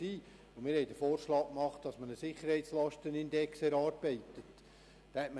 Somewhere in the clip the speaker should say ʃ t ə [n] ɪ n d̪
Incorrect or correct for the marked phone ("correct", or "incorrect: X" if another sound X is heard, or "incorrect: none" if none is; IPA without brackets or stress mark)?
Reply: correct